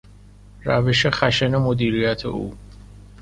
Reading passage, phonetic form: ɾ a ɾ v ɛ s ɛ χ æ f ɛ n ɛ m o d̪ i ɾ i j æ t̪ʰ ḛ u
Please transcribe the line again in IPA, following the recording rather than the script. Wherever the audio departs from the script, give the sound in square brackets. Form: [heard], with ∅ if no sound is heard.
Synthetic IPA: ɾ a [∅] v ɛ [ʃ] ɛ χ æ [ʃ] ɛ n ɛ m o d̪ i ɾ i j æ t̪ʰ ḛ u